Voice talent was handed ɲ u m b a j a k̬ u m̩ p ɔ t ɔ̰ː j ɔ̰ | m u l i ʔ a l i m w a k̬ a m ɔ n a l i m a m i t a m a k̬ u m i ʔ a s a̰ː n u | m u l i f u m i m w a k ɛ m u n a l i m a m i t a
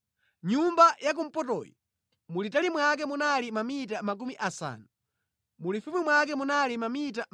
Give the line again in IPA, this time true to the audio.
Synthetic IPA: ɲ u m b a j a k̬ u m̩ p ɔ t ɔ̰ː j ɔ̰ | m u l i t a l i m w a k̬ ɛ m u n a l i m a m i t a m a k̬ u m i ʔ a s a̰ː n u | m u l i f u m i m w a k ɛ m u n a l i m a m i t a